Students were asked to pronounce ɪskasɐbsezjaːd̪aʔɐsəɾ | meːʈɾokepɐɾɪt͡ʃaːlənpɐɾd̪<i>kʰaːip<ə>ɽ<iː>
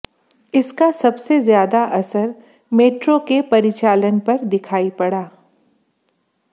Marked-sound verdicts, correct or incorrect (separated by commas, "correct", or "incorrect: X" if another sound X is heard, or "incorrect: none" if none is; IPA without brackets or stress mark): incorrect: ɪ, incorrect: ɐ, incorrect: aː